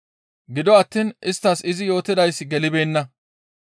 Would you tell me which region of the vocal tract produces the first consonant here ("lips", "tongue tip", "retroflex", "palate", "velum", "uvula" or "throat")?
velum